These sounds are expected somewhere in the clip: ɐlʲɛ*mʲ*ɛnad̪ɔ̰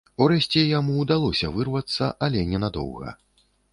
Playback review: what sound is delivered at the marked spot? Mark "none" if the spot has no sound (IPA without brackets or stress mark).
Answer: nʲ